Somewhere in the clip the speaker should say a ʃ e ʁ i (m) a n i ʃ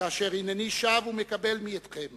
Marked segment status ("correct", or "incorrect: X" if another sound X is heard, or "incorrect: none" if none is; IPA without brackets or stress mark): incorrect: n